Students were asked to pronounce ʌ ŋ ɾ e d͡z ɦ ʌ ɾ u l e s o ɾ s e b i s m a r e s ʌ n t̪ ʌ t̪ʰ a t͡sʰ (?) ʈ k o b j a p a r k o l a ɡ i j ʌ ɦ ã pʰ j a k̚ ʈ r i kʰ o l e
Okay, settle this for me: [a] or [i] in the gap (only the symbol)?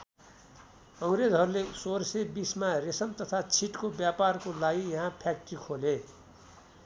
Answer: i